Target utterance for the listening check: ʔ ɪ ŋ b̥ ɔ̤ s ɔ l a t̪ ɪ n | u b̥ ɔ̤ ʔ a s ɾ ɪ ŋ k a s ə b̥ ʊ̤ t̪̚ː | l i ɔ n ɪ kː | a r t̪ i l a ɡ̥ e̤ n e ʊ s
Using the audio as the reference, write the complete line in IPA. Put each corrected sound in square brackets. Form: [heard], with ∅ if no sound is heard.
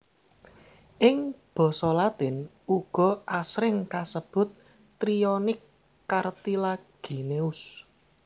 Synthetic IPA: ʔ ɪ ŋ b̥ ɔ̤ s ɔ l a t̪ ɪ n | u [ɡ̥] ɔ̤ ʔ a s ɾ ɪ ŋ k a s ə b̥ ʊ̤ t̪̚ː | [ɾ] i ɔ n ɪ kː | a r t̪ i l a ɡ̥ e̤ n e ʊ s